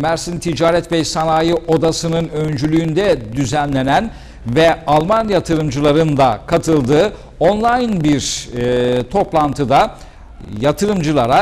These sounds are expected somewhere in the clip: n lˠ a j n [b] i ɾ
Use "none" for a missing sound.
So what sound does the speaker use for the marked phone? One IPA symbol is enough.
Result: b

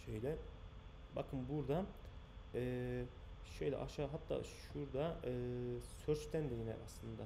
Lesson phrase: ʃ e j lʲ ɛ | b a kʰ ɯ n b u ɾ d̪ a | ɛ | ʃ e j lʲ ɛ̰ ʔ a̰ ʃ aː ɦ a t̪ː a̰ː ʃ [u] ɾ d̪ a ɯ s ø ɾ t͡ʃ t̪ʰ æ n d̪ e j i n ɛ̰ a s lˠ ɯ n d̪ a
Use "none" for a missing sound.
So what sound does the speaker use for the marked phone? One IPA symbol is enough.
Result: u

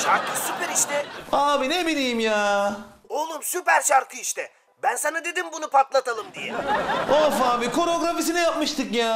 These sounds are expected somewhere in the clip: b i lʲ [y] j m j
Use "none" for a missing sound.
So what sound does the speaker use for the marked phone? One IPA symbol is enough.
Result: i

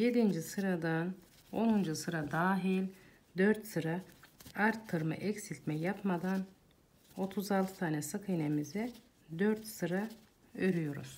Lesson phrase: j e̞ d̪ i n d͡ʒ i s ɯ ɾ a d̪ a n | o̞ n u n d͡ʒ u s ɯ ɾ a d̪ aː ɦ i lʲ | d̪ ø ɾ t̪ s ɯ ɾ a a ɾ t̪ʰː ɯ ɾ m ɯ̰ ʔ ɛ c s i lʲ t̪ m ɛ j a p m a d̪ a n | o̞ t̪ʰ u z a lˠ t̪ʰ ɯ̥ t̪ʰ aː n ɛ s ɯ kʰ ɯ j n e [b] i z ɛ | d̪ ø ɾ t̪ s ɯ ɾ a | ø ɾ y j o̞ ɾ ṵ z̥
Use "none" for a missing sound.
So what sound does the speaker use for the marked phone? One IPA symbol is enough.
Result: m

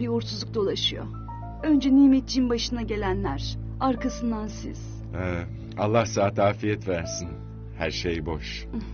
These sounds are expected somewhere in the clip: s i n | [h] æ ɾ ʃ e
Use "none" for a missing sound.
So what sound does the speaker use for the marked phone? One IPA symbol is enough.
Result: h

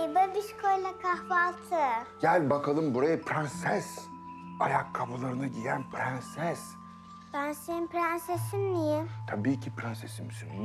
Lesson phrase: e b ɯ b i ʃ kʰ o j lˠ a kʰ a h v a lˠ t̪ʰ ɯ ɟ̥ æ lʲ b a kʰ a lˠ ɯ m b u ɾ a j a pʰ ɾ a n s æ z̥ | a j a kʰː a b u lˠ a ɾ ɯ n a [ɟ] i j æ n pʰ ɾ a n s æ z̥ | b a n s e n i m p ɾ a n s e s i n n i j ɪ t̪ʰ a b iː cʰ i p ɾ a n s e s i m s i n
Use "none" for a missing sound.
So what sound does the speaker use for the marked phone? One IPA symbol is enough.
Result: ɟ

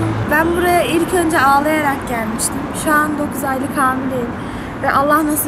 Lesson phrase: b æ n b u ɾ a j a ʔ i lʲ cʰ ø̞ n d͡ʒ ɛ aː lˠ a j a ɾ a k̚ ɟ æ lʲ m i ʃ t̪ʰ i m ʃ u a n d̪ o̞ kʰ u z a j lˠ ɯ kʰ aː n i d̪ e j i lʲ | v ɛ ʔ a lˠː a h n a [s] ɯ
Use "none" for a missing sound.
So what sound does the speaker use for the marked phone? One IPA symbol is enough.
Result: s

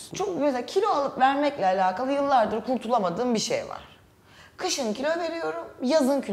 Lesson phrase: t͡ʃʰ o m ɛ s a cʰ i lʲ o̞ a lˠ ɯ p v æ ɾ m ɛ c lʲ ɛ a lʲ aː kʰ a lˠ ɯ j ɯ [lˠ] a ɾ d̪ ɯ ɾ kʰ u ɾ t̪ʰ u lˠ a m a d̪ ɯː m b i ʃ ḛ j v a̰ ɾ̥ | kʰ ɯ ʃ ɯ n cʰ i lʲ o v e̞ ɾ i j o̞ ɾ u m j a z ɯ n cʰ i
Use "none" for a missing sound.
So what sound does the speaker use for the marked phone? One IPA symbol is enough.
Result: lˠː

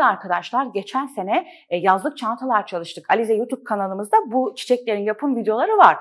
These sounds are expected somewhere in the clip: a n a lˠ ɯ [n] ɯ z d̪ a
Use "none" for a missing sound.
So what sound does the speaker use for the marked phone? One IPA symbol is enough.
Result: m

